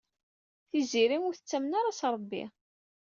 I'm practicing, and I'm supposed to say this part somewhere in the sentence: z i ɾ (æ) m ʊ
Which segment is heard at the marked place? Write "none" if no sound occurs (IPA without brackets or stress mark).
i